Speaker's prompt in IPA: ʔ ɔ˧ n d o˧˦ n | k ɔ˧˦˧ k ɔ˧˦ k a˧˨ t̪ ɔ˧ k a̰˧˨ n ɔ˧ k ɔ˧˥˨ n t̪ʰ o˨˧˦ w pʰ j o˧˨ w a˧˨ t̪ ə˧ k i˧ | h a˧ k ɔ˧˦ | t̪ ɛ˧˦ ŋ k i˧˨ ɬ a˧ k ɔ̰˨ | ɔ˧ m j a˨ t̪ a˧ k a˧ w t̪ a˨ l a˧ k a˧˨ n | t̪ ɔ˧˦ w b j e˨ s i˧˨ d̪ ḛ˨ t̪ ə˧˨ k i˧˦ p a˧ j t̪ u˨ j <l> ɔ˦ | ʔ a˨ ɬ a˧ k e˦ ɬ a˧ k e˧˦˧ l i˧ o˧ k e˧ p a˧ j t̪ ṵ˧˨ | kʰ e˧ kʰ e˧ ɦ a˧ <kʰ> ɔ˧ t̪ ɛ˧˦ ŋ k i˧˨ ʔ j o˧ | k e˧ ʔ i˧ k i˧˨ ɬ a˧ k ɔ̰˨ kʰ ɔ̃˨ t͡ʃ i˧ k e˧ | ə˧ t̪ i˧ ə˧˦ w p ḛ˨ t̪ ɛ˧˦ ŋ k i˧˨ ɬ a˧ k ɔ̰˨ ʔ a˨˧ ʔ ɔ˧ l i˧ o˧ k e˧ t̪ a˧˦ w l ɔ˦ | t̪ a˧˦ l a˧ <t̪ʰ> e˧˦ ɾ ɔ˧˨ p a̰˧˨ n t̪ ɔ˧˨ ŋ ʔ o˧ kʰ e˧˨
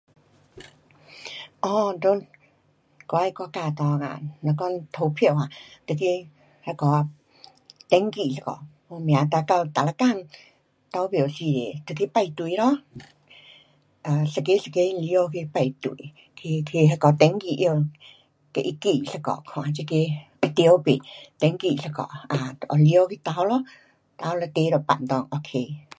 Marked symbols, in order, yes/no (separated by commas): no, no, no